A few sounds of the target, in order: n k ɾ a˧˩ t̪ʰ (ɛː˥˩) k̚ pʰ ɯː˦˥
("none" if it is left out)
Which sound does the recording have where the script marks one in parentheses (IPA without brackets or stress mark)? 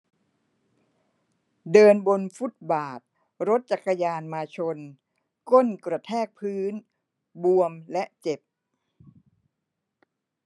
ɛː˥˩